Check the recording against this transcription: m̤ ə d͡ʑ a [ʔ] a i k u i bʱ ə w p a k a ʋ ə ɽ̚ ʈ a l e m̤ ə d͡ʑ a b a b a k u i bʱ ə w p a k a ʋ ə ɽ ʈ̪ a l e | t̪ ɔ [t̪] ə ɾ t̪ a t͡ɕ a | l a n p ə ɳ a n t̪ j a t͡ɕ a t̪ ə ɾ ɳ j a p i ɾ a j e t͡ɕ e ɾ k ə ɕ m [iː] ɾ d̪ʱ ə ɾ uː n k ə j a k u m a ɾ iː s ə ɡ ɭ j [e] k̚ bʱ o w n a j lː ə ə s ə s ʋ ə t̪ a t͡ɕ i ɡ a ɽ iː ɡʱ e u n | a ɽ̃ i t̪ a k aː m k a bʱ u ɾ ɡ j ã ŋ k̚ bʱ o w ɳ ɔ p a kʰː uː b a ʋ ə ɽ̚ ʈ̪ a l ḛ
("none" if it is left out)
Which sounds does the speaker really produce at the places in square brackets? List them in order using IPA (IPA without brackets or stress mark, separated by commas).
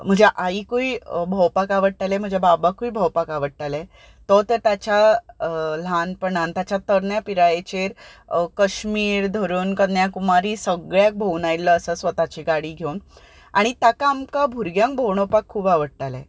ʔ, t̪, iː, a